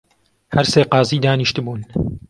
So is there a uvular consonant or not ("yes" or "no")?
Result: yes